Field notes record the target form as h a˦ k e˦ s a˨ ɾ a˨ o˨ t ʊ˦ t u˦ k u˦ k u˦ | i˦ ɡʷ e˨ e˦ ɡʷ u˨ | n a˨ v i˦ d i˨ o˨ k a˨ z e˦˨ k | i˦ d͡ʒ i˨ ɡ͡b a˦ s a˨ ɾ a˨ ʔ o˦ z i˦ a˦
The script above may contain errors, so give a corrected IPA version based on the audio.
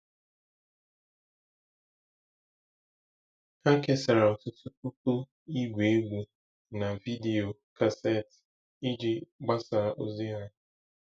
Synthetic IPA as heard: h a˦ k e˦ s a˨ ɾ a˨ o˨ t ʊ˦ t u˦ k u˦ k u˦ | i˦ ɡʷ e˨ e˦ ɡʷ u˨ | n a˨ v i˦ d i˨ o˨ k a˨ s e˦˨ t | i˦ d͡ʒ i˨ ɡ͡b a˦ s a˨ ɾ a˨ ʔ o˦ z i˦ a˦

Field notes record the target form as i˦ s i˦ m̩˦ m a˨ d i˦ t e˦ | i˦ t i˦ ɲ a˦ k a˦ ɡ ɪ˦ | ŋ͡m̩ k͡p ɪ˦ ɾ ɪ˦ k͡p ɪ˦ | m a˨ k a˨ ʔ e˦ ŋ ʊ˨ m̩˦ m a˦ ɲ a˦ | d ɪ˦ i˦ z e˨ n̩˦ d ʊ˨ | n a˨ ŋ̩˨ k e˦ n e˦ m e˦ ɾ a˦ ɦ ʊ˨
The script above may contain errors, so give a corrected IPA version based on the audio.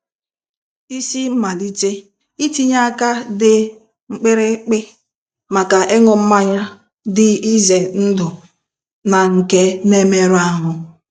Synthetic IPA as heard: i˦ s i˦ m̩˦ m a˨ d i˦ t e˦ | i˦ t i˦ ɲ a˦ k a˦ d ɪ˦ | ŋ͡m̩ k͡p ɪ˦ ɾ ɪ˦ k͡p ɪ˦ | m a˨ k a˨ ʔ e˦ ŋ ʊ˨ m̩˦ m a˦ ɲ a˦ | d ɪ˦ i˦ z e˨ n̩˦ d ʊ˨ | n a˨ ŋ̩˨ k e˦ n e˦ m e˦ ɾ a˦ ɦ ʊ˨

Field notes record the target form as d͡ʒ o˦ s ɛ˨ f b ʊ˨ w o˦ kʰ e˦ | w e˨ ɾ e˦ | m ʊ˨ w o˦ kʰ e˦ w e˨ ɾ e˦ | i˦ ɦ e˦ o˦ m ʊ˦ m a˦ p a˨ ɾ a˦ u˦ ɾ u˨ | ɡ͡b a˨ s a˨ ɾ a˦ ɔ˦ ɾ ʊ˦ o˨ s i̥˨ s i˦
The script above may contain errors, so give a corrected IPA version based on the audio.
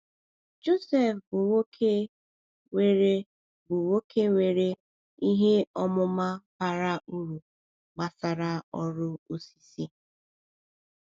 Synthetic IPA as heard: d͡ʒ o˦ s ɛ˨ f b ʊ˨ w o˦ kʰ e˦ | w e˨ ɾ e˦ | b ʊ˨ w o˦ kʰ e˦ w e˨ ɾ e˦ | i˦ ɦ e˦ ɔ˦ m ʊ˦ m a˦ p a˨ ɾ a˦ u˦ ɾ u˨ | ɡ͡b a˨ s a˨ ɾ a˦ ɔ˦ ɾ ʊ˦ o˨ s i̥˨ s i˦

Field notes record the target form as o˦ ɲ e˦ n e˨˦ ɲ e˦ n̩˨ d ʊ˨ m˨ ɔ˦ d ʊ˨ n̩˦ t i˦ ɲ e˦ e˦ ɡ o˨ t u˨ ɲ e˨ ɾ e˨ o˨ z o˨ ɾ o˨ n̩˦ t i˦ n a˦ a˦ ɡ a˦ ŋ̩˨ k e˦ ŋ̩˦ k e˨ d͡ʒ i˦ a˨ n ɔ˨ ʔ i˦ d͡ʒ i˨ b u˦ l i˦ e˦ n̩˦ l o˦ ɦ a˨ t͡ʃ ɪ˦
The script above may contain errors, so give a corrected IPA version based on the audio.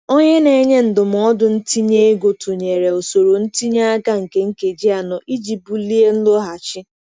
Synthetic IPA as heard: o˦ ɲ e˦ n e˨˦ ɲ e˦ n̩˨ d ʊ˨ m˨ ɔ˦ d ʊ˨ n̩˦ t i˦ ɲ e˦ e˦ ɡ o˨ t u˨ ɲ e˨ ɾ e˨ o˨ s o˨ ɾ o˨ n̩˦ t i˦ ɲ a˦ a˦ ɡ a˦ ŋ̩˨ k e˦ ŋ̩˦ k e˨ d͡ʒ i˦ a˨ n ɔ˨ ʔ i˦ d͡ʒ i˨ b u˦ l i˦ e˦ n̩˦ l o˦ ɦ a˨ t͡ʃ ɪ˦

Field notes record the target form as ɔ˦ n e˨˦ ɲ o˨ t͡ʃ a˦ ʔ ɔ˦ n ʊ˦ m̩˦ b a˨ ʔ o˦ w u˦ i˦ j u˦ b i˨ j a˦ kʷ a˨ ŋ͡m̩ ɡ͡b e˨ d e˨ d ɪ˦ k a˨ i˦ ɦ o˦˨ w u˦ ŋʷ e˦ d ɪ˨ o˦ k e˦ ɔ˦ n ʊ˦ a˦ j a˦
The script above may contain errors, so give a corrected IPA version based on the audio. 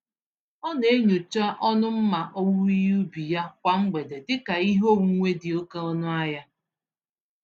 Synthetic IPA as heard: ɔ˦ n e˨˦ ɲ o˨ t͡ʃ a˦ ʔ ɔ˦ n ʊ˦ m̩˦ m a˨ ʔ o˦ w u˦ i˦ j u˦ b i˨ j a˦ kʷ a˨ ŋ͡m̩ ɡ͡b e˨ d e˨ d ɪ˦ k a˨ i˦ ɦ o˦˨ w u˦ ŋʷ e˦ d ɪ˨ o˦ k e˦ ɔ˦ n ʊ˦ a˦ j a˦

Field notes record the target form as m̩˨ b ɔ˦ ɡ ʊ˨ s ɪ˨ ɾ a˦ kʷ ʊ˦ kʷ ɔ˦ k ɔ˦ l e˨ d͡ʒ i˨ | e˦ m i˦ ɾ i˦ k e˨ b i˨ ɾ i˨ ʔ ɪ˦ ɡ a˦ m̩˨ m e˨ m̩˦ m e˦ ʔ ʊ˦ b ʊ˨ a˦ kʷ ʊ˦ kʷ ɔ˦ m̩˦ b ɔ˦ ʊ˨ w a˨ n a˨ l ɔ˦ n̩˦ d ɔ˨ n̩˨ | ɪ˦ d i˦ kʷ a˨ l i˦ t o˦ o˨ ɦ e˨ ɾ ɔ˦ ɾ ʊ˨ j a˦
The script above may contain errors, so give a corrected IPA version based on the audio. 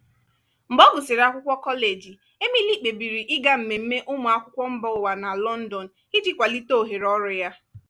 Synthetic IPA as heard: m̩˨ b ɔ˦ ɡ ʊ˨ s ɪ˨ ɾ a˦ kʷ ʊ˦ kʷ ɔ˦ k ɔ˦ l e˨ d͡ʒ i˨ | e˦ m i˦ l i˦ k͡p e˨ b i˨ ɾ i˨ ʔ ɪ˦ ɡ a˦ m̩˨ m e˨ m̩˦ m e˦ ʔ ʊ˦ m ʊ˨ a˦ kʷ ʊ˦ kʷ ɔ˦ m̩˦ b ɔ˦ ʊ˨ w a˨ n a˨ l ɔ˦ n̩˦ d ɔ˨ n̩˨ | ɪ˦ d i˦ kʷ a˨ l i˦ t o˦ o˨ ɦ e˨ ɾ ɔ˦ ɾ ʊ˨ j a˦

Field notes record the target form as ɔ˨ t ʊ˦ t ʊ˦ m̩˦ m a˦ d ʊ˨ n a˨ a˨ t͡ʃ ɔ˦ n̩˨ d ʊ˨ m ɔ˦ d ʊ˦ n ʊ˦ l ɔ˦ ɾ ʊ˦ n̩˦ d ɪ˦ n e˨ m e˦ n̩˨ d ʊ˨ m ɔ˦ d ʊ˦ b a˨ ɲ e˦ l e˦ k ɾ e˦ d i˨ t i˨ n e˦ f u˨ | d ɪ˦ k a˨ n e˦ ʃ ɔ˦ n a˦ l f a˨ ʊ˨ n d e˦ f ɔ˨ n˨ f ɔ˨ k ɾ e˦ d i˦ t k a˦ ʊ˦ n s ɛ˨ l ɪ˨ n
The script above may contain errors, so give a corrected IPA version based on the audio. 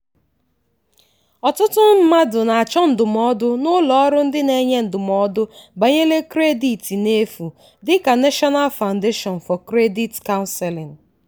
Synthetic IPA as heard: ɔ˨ t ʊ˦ t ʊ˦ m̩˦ m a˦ d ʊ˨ n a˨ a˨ t͡ʃ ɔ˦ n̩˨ d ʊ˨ m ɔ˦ d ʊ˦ n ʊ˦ l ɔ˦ ɾ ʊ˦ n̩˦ d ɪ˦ n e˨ ɲ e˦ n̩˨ d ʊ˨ m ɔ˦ d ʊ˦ b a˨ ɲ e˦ l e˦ k ɾ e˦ d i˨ t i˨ n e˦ f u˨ | d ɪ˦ k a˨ n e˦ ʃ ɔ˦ n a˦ l f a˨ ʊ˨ n d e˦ ʃ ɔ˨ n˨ f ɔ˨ k ɾ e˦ d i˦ t k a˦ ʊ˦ n s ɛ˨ l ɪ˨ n

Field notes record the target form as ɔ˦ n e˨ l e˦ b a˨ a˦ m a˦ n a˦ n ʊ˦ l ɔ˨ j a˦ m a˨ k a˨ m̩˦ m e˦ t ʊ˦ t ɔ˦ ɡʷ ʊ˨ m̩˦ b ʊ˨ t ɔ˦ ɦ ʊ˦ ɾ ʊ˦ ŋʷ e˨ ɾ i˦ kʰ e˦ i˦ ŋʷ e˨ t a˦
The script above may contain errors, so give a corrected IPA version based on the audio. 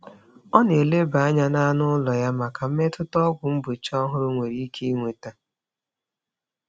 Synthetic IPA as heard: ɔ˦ n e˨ l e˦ b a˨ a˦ ɲ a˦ n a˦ n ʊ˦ l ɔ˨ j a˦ m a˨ k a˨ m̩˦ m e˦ t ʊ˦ t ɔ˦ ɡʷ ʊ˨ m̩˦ b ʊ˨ t͡ʃ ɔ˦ ɦ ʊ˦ ɾ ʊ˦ ŋʷ e˨ ɾ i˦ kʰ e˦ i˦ ŋʷ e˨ t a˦

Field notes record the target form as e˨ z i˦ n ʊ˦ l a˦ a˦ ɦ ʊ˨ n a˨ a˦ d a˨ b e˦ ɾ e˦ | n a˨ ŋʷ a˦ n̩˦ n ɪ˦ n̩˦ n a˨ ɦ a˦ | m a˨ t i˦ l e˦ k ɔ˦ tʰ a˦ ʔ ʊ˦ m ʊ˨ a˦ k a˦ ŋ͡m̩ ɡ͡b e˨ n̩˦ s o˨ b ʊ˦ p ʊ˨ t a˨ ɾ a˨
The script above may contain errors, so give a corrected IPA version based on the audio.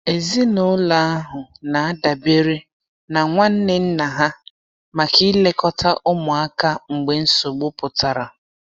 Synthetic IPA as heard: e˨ z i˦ n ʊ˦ l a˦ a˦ ɦ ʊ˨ n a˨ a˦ d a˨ b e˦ ɾ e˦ | n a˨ ŋʷ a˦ n̩˦ n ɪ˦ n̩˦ n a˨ ɦ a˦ | m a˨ k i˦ l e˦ k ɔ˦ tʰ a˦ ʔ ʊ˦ m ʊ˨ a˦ k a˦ ŋ͡m̩ ɡ͡b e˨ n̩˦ s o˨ ɡ͡b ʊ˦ p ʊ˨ t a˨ ɾ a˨

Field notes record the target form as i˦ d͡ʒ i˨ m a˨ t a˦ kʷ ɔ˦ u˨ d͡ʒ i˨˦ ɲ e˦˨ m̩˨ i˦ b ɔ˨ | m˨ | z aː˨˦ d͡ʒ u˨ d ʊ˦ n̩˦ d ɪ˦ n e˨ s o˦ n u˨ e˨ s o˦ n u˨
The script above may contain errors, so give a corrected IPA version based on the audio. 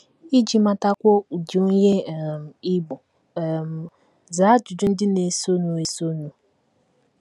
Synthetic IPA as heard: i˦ d͡ʒ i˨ m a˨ t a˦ kʷ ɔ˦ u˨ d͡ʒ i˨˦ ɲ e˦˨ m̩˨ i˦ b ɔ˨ | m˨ | z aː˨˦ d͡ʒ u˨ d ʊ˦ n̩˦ d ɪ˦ n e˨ s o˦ n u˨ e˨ s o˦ n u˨

